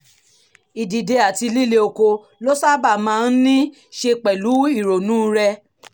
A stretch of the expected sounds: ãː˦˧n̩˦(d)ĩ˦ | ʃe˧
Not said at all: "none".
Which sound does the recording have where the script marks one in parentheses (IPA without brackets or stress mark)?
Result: n